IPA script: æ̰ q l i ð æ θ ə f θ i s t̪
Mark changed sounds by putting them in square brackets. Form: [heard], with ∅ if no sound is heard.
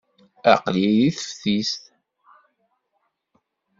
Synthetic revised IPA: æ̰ q l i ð [i] θ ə f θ i s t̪